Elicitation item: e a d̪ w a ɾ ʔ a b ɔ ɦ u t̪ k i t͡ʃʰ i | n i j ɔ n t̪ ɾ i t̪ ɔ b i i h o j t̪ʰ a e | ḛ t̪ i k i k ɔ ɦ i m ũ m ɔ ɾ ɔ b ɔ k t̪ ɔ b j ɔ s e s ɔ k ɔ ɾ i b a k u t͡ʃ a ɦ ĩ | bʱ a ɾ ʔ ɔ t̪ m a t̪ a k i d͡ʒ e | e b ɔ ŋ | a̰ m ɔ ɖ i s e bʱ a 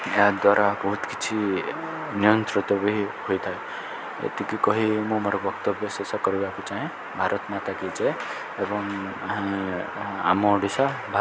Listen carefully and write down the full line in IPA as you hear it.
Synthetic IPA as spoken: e a d̪ w a ɾ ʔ a b ɔ ɦ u t̪ k i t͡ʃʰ i | n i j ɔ n t̪ ɾ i t̪ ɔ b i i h o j t̪ʰ a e | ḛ t̪ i k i k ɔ ɦ i m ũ m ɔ ɾ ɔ b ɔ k t̪ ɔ b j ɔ s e s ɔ k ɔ ɾ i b a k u t͡ʃ a ɦ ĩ | bʱ a ɾ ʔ ɔ t̪ m a t̪ a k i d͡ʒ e | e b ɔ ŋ | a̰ m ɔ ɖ i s a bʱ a

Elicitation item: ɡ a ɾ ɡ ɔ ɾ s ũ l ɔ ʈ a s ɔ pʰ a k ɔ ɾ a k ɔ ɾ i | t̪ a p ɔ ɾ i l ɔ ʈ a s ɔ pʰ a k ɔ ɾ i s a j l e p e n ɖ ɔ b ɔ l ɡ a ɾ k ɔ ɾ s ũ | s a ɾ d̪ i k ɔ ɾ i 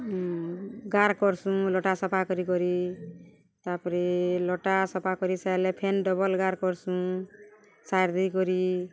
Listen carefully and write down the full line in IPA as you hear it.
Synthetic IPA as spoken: ɡ a ɾ k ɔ ɾ s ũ l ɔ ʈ a s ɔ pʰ a k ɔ ɾ i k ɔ ɾ i | t̪ a p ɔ ɾ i l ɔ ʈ a s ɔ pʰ a k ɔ ɾ i s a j l e pʰ e n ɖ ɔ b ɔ l ɡ a ɾ k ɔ ɾ s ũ | s a ɾ d̪ i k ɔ ɾ i

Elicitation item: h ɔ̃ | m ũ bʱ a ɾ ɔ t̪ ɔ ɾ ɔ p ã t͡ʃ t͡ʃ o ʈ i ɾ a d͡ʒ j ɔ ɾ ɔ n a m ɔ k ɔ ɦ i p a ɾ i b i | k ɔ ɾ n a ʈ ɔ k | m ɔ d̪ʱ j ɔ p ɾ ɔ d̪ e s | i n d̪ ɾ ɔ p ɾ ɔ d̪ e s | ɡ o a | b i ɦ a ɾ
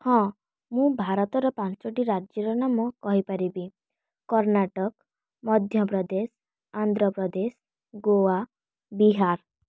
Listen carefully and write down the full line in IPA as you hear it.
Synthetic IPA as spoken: h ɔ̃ | m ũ bʱ a ɾ ɔ t̪ ɔ ɾ ɔ p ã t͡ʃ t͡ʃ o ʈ i ɾ a d͡ʒ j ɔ ɾ ɔ n a m ɔ k ɔ ɦ i p a ɾ i b i | k ɔ ɾ n a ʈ ɔ k | m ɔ d̪ʱ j ɔ p ɾ ɔ d̪ e s | a n d̪ ɾ ɔ p ɾ ɔ d̪ e s | ɡ o a | b i ɦ a ɾ

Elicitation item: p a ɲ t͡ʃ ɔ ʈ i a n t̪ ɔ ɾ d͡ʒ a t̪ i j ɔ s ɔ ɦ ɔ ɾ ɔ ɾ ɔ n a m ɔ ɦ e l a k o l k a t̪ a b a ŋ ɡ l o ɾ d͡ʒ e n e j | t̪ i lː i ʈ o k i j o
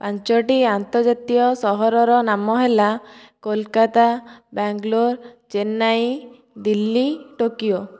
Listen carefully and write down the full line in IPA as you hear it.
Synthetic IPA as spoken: p a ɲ t͡ʃ ɔ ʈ i a n t̪ ɔ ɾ d͡ʒ a t̪ i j ɔ s ɔ ɦ ɔ ɾ ɔ ɾ ɔ n a m ɔ ɦ e l a k o l k a t̪ a b a ŋ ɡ l o ɾ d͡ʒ e n a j | d̪ i lː i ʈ o k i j o

